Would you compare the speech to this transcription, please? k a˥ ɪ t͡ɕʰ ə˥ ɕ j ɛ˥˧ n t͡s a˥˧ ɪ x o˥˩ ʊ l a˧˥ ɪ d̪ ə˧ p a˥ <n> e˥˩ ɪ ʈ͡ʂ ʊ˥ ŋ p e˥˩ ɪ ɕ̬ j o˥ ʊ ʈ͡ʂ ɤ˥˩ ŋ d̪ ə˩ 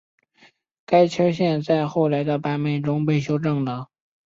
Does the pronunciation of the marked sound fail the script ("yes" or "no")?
yes